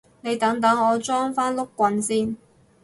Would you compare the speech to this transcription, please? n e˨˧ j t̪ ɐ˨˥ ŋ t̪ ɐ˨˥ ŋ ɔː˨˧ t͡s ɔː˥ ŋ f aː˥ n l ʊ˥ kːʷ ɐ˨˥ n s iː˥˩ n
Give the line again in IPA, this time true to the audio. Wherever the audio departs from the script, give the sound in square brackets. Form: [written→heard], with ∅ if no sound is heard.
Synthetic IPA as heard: n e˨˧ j t̪ ɐ˨˥ ŋ t̪ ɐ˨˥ ŋ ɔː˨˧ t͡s ɔː˥ ŋ f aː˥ n l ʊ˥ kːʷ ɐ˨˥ n s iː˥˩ n